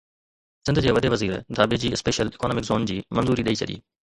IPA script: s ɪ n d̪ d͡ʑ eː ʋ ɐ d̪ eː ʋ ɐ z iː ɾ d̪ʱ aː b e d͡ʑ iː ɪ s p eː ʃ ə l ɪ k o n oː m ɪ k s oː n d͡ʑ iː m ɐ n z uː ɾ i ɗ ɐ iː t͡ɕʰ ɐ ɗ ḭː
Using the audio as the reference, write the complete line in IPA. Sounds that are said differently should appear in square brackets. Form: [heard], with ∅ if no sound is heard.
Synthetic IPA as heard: s ɪ n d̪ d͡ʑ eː ʋ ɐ d̪ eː ʋ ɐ z iː ɾ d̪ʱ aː b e d͡ʑ iː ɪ s p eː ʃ ə l ɪ k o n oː m ɪ k [z] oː n d͡ʑ iː m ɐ n z uː ɾ i ɗ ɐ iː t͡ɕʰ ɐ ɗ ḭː